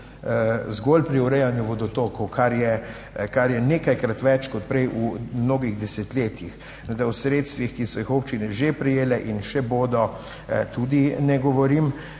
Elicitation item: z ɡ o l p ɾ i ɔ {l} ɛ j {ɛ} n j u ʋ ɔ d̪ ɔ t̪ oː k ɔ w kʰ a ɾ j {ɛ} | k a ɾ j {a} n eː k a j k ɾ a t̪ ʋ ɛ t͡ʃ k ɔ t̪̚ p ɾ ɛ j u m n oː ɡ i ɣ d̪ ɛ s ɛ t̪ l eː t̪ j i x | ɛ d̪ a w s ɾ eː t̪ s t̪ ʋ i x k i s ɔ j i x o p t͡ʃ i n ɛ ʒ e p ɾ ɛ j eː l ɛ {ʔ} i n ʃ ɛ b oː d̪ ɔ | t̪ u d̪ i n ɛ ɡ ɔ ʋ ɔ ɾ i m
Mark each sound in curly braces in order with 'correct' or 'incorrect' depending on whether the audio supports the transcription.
incorrect: ɾ, incorrect: a, correct, incorrect: ɛ, correct

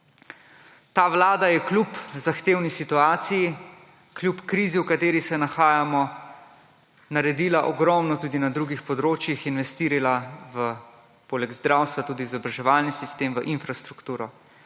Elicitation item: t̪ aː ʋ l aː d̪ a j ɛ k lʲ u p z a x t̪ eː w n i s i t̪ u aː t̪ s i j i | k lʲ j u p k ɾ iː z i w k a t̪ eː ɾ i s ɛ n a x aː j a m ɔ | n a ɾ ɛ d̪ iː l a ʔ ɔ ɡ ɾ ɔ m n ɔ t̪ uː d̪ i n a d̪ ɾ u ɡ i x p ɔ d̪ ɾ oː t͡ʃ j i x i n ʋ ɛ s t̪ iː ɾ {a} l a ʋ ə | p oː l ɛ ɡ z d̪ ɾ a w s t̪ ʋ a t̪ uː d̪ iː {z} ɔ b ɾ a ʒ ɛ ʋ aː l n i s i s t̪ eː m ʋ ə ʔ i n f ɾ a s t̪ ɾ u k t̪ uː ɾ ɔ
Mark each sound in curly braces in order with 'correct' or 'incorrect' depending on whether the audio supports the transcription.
incorrect: i, correct

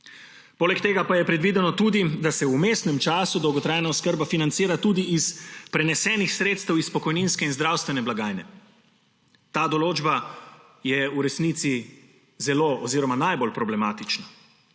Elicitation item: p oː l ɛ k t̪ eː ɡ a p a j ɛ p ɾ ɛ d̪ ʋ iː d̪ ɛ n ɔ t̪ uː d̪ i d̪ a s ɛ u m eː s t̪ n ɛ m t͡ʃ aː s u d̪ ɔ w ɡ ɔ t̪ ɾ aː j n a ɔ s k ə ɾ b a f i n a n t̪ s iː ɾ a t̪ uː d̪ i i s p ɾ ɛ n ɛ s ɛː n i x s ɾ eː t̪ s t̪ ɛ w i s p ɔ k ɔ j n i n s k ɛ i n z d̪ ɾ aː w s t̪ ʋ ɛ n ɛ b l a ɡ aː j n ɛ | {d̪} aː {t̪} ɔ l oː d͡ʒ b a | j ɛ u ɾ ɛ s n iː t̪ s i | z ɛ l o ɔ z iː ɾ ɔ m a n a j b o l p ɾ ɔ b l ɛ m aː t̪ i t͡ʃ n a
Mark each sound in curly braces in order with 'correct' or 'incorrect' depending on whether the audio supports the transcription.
incorrect: t̪, incorrect: d̪

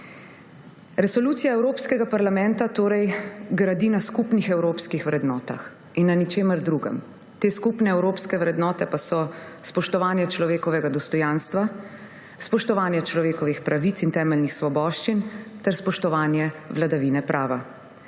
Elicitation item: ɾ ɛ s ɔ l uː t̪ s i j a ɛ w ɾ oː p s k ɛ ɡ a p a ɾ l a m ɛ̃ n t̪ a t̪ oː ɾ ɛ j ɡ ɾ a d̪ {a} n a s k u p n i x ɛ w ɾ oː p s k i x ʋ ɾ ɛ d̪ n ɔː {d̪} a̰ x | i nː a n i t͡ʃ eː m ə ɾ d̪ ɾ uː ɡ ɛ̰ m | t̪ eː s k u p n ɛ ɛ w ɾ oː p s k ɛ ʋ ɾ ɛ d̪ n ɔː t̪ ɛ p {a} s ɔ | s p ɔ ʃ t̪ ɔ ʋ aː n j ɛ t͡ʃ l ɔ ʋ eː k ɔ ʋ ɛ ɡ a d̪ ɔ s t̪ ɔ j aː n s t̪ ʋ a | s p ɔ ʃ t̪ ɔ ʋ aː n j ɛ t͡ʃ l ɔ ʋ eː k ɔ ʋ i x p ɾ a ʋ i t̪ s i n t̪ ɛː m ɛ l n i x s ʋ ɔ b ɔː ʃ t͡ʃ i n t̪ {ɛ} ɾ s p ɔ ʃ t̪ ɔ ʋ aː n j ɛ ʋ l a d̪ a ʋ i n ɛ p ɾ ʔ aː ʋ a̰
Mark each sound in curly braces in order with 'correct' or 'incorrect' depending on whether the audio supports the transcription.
incorrect: i, incorrect: t̪, correct, correct

